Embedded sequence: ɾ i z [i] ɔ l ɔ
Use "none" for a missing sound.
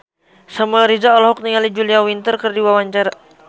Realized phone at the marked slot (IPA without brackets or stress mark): a